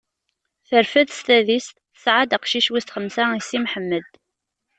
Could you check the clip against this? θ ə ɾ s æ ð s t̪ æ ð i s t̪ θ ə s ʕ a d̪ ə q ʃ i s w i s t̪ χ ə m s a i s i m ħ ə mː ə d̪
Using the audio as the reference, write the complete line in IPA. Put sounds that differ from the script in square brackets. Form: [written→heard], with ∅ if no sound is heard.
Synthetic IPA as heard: θ ə ɾ [s→f] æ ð s t̪ æ ð i s t̪ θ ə s ʕ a d̪ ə q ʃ i [s→ʃ] w i s t̪ χ ə m s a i s i m ħ ə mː ə d̪